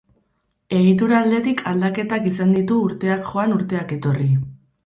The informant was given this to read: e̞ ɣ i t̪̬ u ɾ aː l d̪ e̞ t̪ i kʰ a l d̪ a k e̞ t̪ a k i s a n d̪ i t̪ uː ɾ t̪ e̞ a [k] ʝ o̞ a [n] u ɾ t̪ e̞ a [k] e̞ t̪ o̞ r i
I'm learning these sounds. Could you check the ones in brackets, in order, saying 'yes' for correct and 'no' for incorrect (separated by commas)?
yes, yes, yes